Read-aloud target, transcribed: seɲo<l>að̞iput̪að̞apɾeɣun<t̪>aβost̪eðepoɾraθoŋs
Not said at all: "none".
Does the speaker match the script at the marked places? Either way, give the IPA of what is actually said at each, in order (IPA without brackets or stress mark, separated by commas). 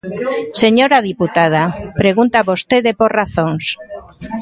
ɾ, t̪